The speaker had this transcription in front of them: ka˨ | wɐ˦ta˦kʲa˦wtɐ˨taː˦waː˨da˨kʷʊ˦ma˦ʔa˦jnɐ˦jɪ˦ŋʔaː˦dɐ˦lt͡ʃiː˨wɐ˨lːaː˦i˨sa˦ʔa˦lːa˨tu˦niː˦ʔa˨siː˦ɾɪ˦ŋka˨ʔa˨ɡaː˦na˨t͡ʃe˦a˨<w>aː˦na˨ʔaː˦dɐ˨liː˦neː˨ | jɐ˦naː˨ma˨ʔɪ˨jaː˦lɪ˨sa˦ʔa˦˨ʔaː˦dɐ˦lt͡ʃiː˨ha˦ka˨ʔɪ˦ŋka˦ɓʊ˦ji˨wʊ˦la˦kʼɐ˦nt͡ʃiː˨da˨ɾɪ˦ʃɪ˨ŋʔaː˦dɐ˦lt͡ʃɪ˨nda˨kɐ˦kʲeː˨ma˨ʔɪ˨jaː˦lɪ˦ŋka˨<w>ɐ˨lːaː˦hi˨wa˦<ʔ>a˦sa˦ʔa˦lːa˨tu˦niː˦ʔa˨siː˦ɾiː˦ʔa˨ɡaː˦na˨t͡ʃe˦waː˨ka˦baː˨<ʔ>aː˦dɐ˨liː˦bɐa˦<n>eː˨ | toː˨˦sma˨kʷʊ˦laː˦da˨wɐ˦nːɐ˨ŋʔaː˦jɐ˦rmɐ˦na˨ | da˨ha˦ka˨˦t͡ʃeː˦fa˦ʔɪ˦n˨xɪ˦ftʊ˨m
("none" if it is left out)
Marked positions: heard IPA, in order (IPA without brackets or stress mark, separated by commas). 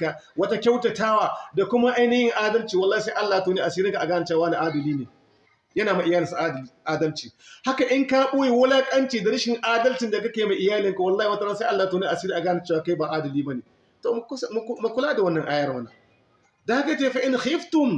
w, w, t, ʔ, n